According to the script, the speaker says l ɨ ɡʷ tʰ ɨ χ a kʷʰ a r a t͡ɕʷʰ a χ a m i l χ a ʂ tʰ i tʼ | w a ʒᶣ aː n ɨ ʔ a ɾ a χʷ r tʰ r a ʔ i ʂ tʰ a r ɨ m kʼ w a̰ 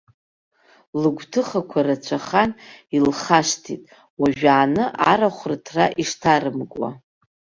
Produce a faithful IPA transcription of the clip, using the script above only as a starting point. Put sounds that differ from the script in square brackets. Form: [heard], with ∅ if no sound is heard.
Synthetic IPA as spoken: l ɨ ɡʷ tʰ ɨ χ a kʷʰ a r a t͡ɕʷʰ a χ a [n] i l χ a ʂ tʰ i tʼ | w a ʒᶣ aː n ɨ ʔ a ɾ a χʷ r tʰ r a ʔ i ʂ tʰ a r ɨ m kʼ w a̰